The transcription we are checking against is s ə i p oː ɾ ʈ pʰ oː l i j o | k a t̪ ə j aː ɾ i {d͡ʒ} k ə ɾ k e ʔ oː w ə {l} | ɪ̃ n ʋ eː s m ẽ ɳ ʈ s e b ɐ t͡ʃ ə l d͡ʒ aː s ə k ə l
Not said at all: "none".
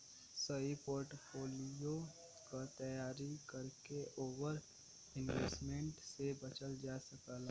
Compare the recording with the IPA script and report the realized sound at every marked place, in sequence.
none, ɾ

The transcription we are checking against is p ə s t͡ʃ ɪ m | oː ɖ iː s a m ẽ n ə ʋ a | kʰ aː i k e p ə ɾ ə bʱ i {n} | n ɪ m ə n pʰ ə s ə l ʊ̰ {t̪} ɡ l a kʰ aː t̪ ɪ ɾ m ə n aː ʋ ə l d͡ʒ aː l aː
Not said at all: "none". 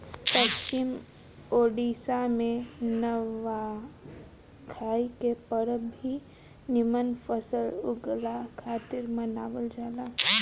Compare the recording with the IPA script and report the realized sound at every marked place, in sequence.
none, none

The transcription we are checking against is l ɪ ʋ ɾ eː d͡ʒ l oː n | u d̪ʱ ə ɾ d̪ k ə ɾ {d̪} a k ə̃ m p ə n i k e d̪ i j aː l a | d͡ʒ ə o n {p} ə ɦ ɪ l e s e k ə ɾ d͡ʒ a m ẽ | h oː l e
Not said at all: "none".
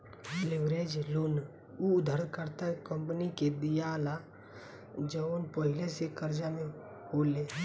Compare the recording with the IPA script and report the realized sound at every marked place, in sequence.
t̪, p

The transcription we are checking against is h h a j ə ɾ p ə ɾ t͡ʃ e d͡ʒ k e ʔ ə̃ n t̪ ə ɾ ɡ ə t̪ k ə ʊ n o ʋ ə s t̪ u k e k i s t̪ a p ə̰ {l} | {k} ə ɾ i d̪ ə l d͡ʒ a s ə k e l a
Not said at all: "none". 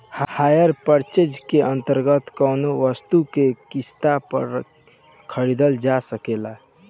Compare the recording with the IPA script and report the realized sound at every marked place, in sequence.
ɾ, kʰ

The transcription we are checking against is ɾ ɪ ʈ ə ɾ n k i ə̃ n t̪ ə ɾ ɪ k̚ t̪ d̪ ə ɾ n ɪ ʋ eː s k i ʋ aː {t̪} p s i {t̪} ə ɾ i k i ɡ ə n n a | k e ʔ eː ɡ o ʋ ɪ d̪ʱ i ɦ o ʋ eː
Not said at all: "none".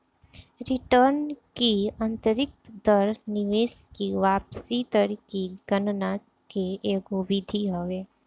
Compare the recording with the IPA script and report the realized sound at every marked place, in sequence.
none, t̪

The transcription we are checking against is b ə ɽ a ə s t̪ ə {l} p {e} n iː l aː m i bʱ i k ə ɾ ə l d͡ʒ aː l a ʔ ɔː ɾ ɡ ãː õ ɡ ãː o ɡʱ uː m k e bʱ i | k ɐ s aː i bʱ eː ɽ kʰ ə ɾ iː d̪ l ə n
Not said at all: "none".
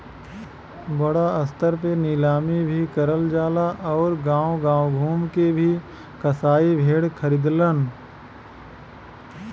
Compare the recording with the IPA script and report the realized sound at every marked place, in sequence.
ɾ, e

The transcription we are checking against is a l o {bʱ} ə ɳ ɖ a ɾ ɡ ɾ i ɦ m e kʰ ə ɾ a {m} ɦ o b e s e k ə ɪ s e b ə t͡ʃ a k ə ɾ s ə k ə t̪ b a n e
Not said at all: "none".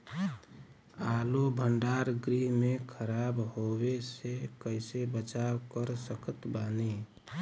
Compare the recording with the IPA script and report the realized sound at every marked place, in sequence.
bʱ, b

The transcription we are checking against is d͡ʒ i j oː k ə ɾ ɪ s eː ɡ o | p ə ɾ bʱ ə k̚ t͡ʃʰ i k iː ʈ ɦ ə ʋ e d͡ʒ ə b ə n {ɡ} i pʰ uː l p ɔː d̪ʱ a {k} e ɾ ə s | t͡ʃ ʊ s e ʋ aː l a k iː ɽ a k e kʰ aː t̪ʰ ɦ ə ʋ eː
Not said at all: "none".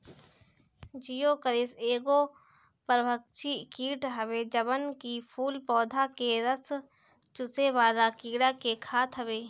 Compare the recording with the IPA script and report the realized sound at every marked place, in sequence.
k, k

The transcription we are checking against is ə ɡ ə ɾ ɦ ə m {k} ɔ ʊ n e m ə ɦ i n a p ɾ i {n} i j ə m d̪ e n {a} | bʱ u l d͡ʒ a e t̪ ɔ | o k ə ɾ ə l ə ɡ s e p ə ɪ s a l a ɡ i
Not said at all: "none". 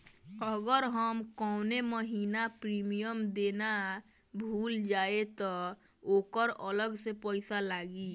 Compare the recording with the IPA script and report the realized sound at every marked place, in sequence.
k, m, a

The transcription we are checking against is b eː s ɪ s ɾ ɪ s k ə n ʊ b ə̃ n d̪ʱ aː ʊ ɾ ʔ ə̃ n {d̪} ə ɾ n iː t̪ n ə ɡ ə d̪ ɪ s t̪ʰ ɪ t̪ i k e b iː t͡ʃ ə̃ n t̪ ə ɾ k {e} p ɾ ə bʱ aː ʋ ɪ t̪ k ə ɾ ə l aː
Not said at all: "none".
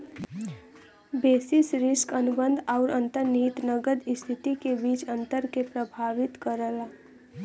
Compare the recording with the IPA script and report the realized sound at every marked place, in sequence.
t̪, e

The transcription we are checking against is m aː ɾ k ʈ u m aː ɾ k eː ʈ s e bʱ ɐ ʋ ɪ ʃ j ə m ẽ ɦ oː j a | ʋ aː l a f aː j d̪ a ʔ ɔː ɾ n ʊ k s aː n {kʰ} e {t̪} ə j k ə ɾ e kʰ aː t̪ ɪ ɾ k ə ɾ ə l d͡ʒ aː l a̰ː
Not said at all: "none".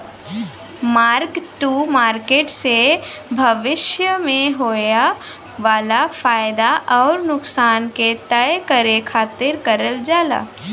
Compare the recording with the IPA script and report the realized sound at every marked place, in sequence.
k, t̪

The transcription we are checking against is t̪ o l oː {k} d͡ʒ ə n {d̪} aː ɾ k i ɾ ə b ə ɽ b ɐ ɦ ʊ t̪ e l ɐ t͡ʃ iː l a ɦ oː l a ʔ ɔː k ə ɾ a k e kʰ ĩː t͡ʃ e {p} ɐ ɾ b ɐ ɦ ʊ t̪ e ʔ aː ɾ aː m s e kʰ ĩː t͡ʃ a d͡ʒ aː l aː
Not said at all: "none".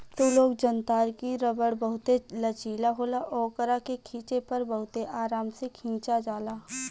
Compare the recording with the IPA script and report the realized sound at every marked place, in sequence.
ɡ, t̪, p

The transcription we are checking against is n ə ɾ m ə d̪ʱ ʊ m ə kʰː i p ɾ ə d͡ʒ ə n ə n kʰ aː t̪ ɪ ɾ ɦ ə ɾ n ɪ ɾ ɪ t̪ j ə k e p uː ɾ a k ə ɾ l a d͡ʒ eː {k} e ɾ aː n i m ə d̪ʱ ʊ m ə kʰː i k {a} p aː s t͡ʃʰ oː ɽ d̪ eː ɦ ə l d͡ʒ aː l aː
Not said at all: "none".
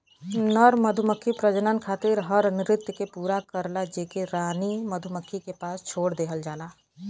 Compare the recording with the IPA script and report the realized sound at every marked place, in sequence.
k, e

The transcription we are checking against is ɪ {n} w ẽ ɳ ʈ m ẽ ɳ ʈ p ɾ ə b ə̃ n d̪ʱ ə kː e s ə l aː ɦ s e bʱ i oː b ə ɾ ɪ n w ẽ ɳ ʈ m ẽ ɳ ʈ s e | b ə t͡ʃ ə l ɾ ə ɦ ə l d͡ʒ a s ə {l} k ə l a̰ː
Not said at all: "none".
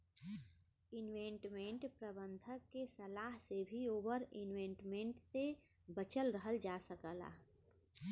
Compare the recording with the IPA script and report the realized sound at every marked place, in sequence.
n, none

